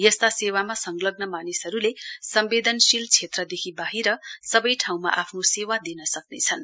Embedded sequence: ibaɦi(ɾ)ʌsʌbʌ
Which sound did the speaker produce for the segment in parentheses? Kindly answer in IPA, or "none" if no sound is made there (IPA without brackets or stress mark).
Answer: ɾ